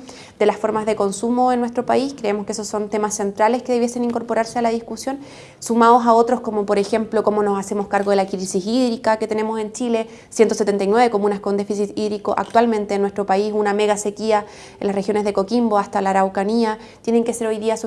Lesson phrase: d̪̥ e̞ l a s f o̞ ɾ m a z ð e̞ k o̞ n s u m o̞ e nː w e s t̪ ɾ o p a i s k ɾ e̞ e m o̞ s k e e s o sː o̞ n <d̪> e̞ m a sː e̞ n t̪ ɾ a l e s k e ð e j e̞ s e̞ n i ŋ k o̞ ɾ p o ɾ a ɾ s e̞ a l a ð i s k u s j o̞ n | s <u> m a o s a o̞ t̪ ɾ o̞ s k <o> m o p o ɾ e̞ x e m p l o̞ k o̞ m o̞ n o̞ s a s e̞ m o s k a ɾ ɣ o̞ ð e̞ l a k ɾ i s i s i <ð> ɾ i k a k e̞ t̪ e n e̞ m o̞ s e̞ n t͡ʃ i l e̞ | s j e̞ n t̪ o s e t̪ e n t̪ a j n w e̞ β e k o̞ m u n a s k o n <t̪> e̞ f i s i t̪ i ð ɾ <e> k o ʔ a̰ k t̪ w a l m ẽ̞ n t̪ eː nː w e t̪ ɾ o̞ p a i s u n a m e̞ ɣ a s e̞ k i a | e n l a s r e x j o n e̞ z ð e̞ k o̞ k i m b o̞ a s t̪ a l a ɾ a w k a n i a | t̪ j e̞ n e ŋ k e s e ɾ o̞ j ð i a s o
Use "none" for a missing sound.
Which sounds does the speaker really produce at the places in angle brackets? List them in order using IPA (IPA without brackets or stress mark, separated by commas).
t̪, u, o, ð, d̪, i